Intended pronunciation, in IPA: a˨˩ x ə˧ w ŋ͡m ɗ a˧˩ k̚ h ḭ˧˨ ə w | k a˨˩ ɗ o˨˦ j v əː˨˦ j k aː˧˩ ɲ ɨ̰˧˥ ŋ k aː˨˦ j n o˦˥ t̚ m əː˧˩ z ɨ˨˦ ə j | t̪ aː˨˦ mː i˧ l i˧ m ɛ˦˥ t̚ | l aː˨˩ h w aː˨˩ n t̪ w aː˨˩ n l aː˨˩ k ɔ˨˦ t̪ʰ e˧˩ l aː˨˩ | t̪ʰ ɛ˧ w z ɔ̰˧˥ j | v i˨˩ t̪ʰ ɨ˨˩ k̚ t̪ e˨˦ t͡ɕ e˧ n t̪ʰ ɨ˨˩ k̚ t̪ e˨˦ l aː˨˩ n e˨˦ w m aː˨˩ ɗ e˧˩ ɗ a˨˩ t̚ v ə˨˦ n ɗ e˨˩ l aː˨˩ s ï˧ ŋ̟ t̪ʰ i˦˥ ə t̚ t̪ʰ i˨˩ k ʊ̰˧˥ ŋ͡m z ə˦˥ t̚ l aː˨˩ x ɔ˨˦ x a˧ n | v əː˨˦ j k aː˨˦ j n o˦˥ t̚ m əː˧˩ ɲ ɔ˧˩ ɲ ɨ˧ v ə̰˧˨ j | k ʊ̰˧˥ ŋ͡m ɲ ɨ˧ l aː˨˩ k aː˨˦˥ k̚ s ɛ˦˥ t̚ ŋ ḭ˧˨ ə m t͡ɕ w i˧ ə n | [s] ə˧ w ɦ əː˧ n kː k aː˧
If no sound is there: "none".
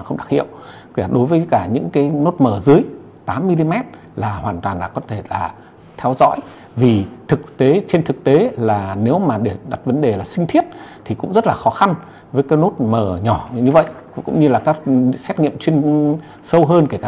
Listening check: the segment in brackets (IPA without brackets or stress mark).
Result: s